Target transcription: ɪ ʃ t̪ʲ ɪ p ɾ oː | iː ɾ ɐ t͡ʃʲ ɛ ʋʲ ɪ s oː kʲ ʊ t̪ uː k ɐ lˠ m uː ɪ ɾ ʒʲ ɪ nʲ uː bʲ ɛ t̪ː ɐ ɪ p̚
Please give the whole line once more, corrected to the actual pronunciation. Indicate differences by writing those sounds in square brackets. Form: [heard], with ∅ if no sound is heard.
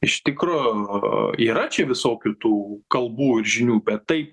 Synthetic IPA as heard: ɪ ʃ t̪ʲ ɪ [k] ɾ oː | iː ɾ ɐ t͡ʃʲ ɛ ʋʲ ɪ s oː kʲ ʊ t̪ uː k ɐ lˠ [b] uː ɪ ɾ ʒʲ ɪ nʲ uː bʲ ɛ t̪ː ɐ ɪ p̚